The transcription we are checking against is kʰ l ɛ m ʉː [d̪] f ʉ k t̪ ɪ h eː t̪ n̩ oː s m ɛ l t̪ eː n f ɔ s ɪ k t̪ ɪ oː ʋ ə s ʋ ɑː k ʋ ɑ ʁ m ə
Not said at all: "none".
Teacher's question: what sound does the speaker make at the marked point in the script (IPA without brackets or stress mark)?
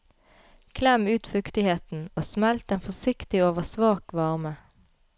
t̪